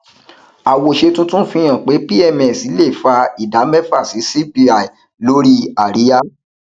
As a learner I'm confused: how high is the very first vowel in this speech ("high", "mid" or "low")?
low